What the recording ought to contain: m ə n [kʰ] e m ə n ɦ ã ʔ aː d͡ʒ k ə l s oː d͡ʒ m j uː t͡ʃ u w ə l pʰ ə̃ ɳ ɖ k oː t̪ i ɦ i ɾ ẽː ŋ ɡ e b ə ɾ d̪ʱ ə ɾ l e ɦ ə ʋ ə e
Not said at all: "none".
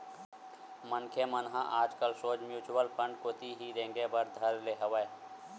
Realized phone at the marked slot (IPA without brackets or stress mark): kʰ